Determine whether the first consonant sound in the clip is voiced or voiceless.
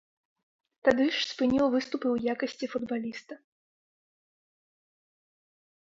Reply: voiceless